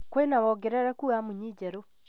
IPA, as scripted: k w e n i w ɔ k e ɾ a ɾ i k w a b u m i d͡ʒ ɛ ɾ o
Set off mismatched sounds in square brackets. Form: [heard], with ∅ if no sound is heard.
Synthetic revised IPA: k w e n [a] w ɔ [ɡ] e ɾ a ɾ [a] k [u] a [m] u [ɲ] i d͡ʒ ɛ ɾ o